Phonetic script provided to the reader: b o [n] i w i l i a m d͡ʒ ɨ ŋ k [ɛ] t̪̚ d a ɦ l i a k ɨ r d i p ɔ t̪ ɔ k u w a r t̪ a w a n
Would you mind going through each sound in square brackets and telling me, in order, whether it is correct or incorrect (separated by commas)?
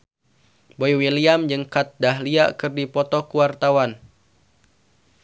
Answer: incorrect, incorrect